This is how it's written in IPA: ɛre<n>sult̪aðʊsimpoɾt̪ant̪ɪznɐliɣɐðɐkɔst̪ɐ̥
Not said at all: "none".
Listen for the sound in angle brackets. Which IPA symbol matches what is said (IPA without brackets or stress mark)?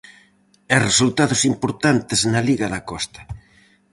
none